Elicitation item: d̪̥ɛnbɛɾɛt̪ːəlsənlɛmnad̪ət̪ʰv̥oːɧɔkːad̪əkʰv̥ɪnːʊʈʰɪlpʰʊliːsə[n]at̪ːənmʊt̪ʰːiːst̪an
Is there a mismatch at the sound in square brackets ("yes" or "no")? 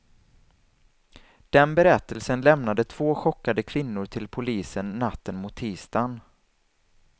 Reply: yes